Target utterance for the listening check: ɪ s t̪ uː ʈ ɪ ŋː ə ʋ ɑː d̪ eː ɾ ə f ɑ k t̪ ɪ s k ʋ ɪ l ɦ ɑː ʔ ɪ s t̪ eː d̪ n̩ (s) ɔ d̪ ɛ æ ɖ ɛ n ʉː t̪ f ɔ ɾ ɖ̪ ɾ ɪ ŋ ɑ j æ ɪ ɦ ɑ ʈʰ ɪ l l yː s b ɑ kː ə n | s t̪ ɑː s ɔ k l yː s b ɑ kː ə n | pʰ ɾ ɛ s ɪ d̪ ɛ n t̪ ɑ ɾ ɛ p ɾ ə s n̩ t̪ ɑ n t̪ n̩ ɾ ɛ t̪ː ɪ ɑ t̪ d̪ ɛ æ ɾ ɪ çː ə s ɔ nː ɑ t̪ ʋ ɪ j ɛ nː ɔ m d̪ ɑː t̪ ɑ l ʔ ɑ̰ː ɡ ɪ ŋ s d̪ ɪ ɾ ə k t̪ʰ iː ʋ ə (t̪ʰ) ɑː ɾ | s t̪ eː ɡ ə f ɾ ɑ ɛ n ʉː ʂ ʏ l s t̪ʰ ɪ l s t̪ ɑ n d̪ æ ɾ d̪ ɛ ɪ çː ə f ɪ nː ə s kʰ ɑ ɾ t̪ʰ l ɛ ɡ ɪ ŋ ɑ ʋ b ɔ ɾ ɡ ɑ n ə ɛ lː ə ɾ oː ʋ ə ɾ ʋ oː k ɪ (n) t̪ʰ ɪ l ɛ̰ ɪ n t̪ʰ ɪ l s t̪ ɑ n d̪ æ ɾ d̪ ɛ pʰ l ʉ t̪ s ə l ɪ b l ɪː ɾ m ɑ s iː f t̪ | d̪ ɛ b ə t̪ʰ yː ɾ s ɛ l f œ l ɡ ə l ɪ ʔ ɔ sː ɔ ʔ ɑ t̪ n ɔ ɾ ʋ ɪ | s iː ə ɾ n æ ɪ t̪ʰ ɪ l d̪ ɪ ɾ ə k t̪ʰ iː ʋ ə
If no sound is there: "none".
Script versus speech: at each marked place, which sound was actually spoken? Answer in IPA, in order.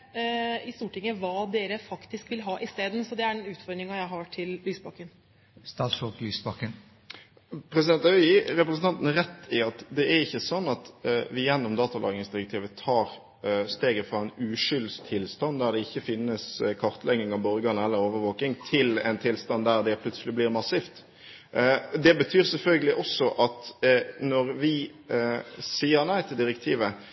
s, t̪ʰ, ŋ

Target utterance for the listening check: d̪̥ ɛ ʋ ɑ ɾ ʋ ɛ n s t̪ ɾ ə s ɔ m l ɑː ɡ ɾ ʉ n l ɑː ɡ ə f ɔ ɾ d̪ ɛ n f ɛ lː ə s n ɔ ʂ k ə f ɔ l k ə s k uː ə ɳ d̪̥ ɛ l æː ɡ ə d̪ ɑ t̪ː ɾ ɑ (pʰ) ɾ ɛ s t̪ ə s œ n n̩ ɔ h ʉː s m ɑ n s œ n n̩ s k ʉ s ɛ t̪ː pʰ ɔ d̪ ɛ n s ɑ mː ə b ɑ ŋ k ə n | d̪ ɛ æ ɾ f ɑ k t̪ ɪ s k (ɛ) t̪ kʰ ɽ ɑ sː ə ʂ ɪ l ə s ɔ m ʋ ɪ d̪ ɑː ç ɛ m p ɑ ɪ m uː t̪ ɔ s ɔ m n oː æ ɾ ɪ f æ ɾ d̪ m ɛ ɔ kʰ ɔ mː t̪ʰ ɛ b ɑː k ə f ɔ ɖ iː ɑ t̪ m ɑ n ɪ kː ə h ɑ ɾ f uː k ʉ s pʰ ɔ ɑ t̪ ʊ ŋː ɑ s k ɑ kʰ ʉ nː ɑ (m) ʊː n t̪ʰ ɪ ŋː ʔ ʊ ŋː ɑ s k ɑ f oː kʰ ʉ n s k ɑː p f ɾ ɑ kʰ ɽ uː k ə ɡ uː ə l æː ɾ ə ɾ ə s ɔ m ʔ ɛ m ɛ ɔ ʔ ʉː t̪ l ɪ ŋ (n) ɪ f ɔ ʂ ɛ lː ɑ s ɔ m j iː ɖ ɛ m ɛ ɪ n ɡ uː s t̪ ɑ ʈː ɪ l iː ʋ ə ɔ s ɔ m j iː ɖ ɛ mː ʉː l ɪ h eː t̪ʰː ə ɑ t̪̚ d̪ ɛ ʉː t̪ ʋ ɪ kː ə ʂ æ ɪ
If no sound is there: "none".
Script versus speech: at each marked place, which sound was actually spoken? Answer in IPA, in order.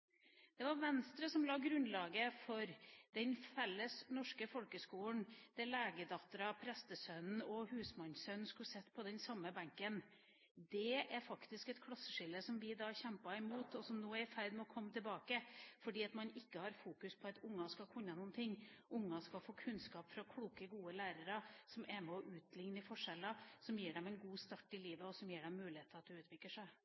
pʰ, ɛ, n, n

